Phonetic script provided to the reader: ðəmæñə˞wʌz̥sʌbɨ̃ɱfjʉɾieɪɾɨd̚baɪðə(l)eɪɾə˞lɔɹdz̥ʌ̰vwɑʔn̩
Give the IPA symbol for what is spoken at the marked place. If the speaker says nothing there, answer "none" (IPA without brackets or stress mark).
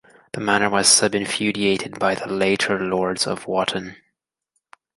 l